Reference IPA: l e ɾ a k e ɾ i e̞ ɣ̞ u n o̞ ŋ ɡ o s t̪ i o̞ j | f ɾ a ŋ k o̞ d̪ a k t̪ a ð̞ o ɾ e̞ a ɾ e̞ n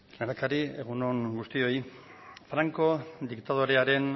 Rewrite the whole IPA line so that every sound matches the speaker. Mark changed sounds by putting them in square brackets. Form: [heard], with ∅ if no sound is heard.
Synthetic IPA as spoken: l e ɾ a k [a] ɾ i e̞ ɣ̞ u n o̞ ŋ ɡ [u] s t̪ i o̞ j | f ɾ a ŋ k o̞ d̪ [i] k t̪ a ð̞ o ɾ e̞ a ɾ e̞ n